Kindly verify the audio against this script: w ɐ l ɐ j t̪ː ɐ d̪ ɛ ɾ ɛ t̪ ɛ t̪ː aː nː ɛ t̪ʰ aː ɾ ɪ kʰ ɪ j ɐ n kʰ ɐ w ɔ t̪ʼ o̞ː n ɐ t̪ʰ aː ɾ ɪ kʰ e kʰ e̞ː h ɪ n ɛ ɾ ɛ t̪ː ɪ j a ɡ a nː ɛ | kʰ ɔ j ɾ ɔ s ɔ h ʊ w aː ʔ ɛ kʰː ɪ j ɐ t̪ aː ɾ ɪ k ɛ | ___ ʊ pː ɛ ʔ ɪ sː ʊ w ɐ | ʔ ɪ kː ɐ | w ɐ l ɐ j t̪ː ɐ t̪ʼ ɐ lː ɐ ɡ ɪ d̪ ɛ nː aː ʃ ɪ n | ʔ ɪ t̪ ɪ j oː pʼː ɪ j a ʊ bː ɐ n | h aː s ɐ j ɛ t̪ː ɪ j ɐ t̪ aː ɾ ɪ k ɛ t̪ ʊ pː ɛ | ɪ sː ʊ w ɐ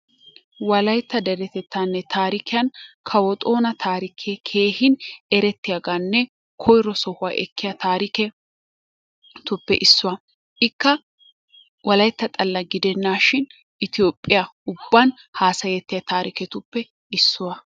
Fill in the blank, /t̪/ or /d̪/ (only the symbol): t̪